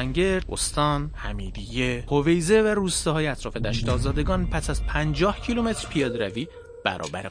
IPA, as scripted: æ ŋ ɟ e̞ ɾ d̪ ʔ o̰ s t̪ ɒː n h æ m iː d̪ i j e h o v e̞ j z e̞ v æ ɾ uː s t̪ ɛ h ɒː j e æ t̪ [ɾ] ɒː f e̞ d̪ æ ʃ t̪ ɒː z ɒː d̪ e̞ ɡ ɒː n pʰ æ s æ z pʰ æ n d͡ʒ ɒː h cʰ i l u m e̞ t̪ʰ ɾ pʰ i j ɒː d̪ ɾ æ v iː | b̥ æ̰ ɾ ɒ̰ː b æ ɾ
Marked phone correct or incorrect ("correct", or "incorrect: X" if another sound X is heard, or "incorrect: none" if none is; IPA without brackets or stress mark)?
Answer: correct